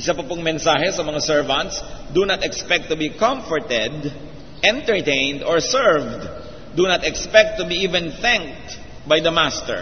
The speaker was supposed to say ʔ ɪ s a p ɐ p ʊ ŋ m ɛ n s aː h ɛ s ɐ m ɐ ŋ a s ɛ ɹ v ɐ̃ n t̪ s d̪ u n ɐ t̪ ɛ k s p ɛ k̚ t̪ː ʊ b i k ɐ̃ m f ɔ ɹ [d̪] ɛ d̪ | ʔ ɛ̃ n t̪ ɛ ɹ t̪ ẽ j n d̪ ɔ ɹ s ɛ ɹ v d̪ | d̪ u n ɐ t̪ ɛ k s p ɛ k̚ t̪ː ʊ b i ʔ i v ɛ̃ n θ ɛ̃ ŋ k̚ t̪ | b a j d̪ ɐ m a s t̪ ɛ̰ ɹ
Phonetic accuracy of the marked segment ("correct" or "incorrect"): incorrect